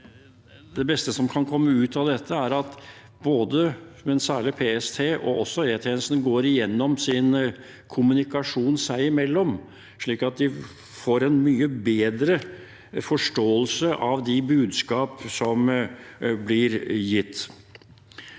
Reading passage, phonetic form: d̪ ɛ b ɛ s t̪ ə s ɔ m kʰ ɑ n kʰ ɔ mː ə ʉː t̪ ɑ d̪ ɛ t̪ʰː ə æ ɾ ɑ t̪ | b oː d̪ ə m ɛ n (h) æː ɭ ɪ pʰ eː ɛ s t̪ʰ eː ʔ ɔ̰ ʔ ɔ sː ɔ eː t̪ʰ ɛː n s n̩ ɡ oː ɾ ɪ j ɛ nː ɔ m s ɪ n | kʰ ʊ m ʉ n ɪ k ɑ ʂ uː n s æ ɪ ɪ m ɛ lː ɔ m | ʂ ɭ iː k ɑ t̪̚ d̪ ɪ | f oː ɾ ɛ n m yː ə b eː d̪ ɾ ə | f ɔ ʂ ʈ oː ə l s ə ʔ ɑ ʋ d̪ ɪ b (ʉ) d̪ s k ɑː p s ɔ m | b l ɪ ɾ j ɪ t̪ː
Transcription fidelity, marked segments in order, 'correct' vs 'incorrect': incorrect: s, incorrect: ʉː

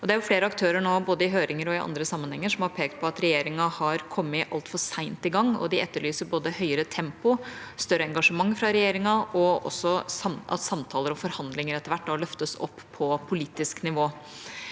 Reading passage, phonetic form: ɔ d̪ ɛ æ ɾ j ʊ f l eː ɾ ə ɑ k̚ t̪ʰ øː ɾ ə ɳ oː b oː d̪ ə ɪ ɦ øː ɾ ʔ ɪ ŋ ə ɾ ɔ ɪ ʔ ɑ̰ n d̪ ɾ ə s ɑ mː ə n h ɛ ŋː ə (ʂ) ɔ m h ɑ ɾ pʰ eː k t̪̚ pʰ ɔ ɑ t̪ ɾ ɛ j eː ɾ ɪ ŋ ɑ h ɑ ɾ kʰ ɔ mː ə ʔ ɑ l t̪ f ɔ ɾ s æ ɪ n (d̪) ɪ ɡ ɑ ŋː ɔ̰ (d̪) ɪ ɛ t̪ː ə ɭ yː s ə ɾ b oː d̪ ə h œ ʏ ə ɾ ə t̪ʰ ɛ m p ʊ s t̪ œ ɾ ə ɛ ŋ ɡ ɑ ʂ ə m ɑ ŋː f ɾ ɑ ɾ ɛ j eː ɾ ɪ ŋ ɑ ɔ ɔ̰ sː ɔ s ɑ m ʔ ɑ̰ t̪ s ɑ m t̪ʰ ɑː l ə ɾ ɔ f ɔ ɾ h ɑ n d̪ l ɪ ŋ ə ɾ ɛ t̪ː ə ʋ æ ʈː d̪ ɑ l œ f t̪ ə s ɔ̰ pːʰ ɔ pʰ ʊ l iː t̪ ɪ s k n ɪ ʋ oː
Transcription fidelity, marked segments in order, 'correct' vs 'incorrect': correct, incorrect: t̪, correct

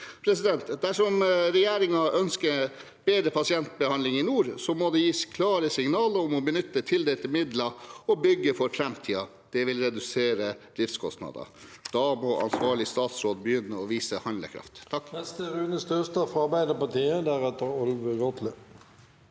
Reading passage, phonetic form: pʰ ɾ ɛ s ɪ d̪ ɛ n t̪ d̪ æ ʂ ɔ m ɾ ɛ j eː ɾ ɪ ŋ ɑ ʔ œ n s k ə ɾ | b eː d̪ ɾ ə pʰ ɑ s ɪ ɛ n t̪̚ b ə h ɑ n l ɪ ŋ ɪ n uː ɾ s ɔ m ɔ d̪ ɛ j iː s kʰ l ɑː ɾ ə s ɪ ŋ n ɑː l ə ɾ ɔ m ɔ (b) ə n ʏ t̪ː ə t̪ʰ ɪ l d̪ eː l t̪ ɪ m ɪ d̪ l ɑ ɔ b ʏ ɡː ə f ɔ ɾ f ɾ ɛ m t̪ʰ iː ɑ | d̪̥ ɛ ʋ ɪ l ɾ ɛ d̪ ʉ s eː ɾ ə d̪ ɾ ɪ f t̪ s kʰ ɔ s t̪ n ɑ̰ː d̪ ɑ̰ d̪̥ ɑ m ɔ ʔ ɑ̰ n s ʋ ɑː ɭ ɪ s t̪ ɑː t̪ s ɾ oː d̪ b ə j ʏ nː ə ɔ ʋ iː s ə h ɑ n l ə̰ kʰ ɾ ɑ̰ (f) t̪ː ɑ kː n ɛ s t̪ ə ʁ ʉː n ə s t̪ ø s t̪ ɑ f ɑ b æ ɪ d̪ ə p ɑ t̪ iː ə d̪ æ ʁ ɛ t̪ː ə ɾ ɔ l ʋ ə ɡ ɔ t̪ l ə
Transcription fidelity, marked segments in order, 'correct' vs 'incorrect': correct, correct

